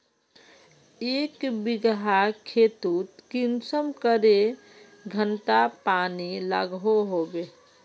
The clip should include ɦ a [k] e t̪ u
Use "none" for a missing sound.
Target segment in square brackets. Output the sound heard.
kʰ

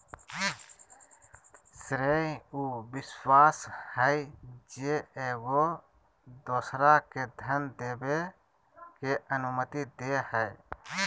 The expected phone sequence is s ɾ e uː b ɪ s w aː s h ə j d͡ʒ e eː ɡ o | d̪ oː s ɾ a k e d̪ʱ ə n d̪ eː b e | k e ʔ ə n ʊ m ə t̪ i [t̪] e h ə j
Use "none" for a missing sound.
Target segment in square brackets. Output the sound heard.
d̪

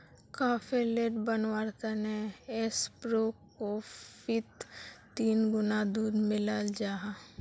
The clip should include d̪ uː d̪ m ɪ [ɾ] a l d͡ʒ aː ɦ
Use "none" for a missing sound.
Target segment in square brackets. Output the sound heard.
l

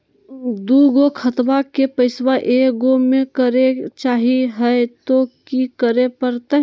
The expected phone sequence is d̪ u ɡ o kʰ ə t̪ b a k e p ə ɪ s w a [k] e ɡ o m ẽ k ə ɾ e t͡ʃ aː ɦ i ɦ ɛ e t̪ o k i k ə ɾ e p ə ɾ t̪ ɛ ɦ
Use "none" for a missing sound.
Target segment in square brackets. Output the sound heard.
ʔ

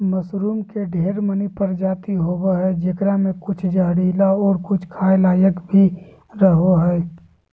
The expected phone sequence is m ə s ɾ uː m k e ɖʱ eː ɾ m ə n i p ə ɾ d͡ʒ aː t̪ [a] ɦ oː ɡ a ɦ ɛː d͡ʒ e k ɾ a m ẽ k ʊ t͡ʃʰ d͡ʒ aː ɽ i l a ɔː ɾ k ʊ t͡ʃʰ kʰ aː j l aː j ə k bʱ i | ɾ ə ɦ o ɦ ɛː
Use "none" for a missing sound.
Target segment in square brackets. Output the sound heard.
i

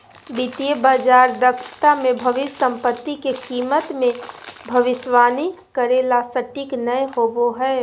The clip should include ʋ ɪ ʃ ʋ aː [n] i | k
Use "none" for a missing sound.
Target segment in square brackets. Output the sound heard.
n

